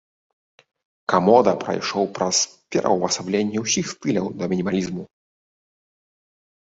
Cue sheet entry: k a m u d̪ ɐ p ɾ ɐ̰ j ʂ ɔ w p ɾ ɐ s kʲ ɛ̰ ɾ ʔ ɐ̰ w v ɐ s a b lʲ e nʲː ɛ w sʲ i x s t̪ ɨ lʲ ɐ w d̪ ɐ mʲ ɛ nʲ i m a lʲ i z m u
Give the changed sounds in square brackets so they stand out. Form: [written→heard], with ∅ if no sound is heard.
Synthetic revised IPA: k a m [u→ɔ] d̪ ɐ p ɾ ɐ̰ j ʂ ɔ w p ɾ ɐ s [kʲ→pʲ] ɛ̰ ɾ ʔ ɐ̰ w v ɐ s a b lʲ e nʲː ɛ w sʲ i x s t̪ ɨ lʲ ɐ w d̪ ɐ mʲ [ɛ→i] nʲ i m a lʲ i z m u

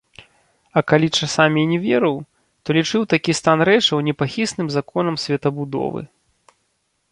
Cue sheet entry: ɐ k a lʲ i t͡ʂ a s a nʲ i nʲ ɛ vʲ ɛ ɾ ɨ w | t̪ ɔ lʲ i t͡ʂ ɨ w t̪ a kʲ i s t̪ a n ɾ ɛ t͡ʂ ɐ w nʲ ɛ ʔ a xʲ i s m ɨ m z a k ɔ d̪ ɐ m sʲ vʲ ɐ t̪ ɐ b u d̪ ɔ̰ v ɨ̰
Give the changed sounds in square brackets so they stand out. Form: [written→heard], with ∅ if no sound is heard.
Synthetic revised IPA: ɐ k a lʲ i t͡ʂ a s a [nʲ→mʲ] i nʲ ɛ vʲ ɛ ɾ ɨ w | t̪ ɔ lʲ i t͡ʂ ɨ w t̪ a kʲ i s t̪ a n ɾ ɛ t͡ʂ ɐ w nʲ ɛ [ʔ→p] a xʲ i s [m→n] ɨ m z a k ɔ [d̪→n̪] ɐ m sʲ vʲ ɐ t̪ ɐ b u d̪ ɔ̰ v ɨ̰

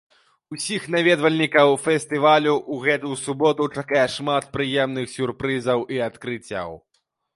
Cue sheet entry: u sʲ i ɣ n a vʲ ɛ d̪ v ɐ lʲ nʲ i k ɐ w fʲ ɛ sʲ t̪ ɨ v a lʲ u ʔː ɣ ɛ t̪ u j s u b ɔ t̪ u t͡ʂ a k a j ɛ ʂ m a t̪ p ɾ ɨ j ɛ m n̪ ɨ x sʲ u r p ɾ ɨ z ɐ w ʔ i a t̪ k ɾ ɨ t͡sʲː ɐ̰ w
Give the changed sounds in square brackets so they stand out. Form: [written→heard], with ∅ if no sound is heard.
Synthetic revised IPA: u sʲ i [ɣ→x] n a vʲ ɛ d̪ v ɐ lʲ nʲ i k ɐ w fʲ ɛ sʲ t̪ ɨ v a lʲ u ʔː ɣ ɛ t̪ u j s u b ɔ t̪ u t͡ʂ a k a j ɛ ʂ m a t̪ p ɾ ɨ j ɛ m n̪ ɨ x sʲ u r p ɾ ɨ z ɐ w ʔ i a t̪ k ɾ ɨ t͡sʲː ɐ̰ w

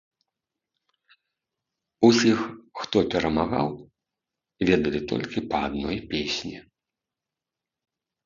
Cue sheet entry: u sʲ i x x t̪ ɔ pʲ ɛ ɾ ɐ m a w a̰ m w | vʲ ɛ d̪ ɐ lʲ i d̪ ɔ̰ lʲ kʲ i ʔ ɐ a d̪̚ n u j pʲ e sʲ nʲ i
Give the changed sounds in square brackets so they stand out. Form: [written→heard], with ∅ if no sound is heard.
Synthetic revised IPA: u sʲ i x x t̪ ɔ pʲ ɛ ɾ ɐ m a [w→ɣ] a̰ [m→∅] w | vʲ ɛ d̪ ɐ lʲ i [d̪→t̪] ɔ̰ lʲ kʲ i [ʔ→p] ɐ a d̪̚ n [u→ɔ] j pʲ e sʲ nʲ i

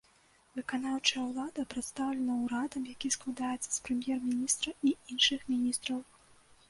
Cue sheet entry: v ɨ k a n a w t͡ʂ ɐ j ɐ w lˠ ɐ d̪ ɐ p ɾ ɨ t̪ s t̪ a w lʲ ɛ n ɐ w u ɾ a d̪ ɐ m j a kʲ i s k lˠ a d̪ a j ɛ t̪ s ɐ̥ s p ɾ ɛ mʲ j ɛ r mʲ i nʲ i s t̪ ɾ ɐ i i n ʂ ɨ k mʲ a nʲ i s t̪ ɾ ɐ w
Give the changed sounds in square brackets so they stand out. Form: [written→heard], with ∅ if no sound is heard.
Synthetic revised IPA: v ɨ k a n a w t͡ʂ ɐ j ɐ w lˠ [ɐ→a] d̪ ɐ p ɾ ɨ t̪ s t̪ a w lʲ ɛ n ɐ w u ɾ a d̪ ɐ m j a kʲ i s k lˠ a d̪ a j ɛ t̪ s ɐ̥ s p ɾ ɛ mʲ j ɛ r mʲ i nʲ i s t̪ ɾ ɐ i i n ʂ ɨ [k→x] mʲ [a→i] nʲ i s t̪ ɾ ɐ w

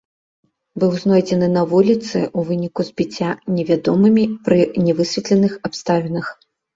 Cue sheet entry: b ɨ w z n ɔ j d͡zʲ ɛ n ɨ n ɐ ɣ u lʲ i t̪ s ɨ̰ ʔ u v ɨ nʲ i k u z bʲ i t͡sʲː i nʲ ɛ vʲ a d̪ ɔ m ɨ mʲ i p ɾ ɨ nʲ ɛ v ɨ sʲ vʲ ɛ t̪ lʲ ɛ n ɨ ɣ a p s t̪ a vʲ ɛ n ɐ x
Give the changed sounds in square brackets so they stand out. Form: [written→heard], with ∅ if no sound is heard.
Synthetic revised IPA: b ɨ w z n ɔ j d͡zʲ ɛ n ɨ n ɐ [ɣ→v] u lʲ i t̪ s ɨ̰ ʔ u v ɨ nʲ i k u z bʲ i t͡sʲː [i→a] nʲ ɛ vʲ a d̪ ɔ m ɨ mʲ i p ɾ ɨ nʲ ɛ v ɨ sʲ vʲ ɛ t̪ lʲ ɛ n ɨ [ɣ→x] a p s t̪ a vʲ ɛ n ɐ x

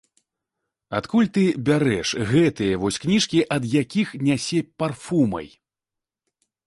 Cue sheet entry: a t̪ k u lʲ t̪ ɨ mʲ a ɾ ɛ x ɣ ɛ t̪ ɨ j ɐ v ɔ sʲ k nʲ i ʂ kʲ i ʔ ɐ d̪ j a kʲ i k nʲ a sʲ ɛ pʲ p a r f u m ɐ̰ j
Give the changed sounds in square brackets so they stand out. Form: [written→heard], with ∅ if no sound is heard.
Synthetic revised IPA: a t̪ k u lʲ t̪ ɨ [mʲ→bʲ] a ɾ ɛ [x→ʂ] ɣ ɛ t̪ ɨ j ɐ v ɔ sʲ k nʲ i ʂ kʲ i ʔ ɐ d̪ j a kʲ i [k→x] nʲ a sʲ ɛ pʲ p a r f u m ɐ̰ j

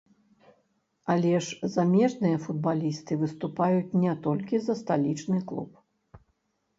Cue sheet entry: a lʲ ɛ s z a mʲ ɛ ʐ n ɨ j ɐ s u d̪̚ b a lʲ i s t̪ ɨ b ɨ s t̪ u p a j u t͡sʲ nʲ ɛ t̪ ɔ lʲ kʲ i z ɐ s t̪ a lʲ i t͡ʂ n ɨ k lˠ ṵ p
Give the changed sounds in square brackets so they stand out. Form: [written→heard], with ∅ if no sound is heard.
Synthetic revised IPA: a lʲ ɛ [s→ʂ] z a mʲ ɛ ʐ n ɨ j ɐ [s→f] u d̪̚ b a lʲ i s t̪ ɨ [b→v] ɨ s t̪ u p a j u t͡sʲ nʲ ɛ t̪ ɔ lʲ kʲ i z ɐ s t̪ a lʲ i t͡ʂ n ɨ k lˠ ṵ p

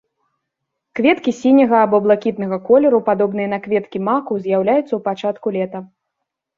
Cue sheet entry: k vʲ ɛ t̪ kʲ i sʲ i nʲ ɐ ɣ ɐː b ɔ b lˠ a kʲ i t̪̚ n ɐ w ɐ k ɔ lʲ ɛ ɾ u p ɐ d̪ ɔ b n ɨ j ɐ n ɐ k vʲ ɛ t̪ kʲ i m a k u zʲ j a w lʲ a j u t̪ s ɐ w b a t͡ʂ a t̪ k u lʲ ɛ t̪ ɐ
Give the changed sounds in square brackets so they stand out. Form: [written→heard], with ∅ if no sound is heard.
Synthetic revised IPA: k vʲ ɛ t̪ kʲ i sʲ i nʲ ɐ ɣ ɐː b ɔ b lˠ a kʲ i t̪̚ n ɐ [w→ɣ] ɐ k ɔ lʲ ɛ ɾ u p [ɐ→a] d̪ ɔ b n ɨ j ɐ n ɐ k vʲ ɛ t̪ kʲ i m a k u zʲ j a w lʲ a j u t̪ s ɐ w [b→p] a t͡ʂ a t̪ k u lʲ ɛ t̪ ɐ

